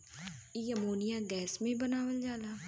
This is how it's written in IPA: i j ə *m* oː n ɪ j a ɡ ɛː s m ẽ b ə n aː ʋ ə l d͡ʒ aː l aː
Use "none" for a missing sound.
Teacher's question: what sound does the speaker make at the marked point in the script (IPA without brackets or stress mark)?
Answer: m